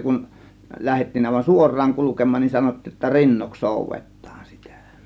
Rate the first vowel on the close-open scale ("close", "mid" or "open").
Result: close